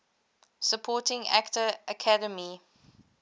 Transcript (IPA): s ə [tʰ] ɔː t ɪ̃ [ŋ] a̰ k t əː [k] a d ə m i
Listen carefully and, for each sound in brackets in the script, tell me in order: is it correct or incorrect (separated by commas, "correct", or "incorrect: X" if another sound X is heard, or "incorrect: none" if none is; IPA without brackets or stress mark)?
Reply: incorrect: pʰ, correct, incorrect: kʰ